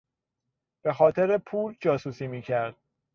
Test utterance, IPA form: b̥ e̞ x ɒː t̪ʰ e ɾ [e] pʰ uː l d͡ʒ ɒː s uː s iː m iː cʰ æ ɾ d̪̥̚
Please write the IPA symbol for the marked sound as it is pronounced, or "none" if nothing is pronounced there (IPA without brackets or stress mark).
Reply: e